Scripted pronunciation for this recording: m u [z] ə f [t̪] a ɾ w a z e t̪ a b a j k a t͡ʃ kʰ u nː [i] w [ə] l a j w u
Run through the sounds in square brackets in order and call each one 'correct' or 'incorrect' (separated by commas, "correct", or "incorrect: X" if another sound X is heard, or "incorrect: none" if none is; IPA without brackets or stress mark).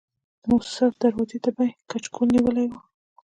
incorrect: s, incorrect: d̪, correct, correct